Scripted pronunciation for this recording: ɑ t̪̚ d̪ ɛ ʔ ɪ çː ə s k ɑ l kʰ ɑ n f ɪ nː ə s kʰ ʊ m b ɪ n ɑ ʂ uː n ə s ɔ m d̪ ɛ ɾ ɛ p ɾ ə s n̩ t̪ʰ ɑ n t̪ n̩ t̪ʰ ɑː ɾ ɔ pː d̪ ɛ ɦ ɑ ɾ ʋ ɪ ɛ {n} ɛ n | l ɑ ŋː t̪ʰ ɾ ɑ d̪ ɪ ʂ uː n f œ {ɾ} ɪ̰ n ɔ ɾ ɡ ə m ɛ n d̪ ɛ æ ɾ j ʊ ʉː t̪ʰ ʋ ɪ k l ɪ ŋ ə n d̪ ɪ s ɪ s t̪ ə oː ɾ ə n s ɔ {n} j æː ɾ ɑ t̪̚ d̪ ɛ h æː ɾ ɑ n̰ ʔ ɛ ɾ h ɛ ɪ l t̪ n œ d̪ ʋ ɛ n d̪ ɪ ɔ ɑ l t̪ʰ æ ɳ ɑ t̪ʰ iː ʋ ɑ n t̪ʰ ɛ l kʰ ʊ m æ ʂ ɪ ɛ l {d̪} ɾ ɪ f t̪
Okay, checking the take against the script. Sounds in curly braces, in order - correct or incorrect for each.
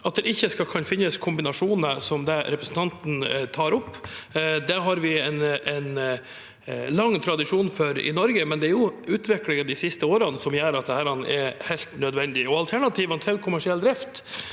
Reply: correct, correct, incorrect, correct

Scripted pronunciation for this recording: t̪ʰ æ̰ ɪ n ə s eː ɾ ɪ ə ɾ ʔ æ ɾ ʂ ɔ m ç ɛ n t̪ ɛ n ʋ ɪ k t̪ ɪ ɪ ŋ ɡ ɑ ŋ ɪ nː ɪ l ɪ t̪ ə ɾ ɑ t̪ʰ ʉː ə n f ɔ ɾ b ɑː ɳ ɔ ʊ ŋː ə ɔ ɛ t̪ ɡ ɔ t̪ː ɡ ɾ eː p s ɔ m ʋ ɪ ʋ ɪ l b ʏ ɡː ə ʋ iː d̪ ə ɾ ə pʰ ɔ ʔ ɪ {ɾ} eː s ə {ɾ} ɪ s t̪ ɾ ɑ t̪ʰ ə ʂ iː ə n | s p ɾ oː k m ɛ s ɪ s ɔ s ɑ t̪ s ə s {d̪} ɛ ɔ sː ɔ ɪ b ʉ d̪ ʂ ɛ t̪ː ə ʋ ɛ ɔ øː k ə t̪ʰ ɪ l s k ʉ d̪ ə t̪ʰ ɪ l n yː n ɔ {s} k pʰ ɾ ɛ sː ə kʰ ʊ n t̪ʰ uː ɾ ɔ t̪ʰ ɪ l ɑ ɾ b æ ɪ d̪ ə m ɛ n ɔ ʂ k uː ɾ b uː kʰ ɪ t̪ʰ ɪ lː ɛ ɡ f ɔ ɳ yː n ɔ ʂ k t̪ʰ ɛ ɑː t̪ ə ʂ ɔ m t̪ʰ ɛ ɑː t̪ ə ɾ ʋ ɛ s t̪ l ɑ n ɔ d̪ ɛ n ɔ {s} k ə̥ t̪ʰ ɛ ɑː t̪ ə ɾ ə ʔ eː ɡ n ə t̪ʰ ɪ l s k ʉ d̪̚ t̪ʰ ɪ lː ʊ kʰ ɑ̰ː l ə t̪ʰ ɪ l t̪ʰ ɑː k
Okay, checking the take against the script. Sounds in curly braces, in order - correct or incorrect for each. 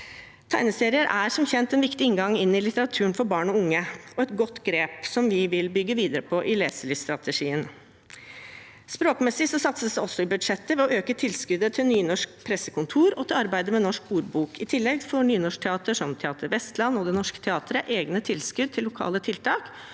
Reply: incorrect, incorrect, correct, incorrect, incorrect

